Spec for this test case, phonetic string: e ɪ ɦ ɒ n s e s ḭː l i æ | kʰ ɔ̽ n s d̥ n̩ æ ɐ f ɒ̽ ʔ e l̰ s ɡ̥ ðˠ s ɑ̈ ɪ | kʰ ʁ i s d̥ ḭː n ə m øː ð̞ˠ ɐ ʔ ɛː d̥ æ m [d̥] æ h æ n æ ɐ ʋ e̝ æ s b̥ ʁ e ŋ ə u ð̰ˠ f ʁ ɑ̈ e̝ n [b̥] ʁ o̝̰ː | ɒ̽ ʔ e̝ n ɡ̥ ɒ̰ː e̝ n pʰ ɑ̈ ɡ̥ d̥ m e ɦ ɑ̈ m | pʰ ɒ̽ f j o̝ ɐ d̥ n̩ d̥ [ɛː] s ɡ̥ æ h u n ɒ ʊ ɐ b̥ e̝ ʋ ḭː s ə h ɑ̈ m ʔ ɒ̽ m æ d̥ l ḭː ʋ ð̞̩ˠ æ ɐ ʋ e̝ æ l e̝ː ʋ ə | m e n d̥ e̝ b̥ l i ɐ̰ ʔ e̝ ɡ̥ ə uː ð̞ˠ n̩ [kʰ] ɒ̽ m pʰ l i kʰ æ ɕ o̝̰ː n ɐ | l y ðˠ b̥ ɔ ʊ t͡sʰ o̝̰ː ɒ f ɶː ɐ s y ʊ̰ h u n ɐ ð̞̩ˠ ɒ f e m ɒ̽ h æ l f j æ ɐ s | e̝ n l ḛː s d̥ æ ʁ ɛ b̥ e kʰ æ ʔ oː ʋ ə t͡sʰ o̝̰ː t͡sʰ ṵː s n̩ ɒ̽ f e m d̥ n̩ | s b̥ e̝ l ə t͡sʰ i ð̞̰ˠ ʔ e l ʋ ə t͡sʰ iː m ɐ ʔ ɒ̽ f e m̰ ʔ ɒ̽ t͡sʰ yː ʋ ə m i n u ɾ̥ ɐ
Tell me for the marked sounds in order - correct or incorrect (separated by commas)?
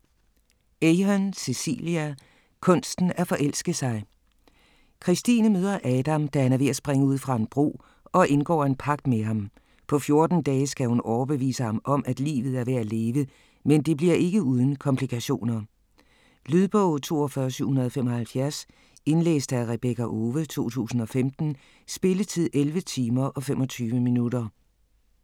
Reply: correct, correct, correct, correct